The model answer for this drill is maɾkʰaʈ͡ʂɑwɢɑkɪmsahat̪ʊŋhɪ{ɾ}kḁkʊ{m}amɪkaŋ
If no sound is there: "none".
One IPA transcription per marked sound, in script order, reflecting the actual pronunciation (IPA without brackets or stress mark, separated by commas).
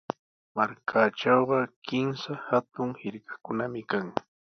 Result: ɾ, n